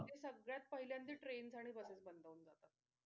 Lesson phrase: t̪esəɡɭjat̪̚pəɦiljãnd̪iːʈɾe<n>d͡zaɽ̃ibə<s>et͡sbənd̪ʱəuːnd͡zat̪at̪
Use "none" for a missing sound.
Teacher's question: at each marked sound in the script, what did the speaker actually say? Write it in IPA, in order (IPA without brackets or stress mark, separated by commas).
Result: n, s